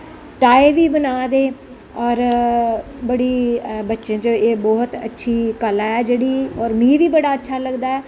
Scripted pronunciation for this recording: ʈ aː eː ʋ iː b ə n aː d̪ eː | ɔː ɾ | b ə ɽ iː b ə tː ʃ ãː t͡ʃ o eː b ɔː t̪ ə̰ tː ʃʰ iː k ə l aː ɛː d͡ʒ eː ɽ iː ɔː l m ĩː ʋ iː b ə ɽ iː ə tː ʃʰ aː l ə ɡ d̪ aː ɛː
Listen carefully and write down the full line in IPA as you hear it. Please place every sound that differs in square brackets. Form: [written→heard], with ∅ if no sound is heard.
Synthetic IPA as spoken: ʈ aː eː ʋ iː b ə n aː d̪ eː | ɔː ɾ | b ə ɽ iː b ə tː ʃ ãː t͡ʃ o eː b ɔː t̪ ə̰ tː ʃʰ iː k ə l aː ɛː d͡ʒ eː ɽ iː ɔː [l→ɾ] m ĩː ʋ iː b ə ɽ [iː→aː] ə tː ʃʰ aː l ə ɡ d̪ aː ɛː